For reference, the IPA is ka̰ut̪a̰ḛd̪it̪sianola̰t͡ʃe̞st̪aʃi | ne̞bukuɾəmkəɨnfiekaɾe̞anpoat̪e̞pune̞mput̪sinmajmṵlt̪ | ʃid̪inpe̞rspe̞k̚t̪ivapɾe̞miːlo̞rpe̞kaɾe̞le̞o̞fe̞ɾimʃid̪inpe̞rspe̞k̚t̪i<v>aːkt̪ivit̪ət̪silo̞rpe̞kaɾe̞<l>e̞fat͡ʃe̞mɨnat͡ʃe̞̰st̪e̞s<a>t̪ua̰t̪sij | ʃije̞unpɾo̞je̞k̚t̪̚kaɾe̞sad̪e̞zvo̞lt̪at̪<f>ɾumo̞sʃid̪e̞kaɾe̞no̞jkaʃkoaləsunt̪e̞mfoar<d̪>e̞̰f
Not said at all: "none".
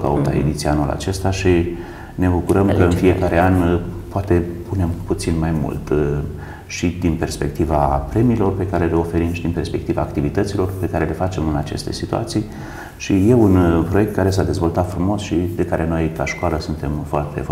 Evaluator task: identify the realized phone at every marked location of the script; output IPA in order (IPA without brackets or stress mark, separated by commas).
v, l, i, f, t̪